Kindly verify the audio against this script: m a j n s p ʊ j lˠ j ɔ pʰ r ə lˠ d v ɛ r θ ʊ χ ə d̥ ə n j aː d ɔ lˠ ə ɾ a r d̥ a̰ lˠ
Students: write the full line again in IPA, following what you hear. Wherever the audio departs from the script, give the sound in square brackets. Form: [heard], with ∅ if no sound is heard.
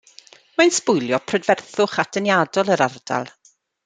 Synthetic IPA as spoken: m a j n s p ʊ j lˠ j ɔ pʰ r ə [∅] d v ɛ r θ ʊ χ [a] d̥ ə n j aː d ɔ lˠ ə ɾ a r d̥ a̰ lˠ